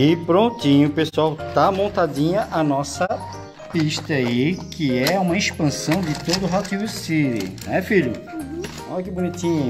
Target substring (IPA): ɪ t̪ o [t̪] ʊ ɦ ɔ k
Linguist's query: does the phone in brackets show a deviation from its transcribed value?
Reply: yes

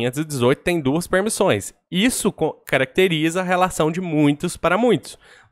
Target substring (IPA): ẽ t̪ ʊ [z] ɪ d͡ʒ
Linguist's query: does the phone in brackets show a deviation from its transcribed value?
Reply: no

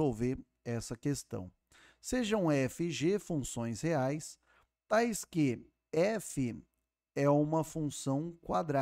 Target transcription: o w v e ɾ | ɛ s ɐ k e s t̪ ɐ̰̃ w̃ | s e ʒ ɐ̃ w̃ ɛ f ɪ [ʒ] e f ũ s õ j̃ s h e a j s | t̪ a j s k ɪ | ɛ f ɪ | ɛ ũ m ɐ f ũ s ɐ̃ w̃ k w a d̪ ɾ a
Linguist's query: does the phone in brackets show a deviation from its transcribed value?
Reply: no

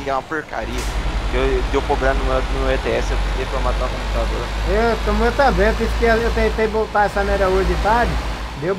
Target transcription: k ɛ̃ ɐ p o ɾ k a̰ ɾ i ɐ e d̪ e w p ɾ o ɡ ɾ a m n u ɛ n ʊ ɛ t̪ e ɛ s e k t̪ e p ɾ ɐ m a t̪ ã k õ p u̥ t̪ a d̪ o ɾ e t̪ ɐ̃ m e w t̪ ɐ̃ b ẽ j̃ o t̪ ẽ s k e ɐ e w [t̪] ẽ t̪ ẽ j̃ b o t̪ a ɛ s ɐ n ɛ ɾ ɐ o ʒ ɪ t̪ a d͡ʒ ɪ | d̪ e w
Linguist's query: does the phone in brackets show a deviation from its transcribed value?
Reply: no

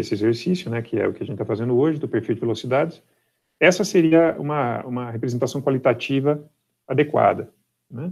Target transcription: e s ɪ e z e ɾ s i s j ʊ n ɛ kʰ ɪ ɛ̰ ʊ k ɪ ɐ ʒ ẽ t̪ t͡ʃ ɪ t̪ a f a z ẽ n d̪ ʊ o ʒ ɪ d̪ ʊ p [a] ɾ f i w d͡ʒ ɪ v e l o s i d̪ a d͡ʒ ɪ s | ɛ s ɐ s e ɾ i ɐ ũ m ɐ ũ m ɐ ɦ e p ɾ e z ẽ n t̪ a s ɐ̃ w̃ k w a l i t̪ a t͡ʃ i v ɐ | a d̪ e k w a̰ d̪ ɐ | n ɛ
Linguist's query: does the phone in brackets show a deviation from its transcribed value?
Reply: yes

